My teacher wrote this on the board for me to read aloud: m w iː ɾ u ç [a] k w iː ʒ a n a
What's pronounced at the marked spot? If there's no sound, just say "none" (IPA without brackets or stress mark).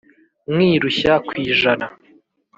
a